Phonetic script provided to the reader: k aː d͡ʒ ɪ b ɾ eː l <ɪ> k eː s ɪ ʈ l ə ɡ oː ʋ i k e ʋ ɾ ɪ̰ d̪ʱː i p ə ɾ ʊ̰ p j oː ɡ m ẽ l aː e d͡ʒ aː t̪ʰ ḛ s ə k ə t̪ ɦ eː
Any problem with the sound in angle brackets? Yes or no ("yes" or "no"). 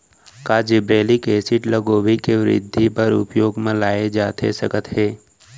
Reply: yes